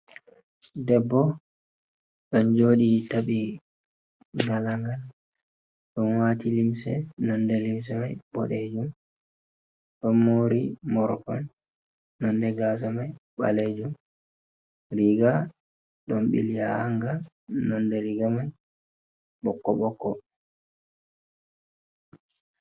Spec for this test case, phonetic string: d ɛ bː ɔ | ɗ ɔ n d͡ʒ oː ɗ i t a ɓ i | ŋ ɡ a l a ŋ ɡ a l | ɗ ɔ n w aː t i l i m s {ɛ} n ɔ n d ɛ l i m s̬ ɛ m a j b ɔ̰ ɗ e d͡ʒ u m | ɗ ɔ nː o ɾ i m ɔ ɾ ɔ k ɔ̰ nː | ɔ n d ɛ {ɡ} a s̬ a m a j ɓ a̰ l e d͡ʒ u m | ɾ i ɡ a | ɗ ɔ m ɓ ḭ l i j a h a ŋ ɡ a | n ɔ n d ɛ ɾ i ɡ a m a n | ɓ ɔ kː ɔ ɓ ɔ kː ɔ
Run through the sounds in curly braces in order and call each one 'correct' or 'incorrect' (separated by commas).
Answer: correct, correct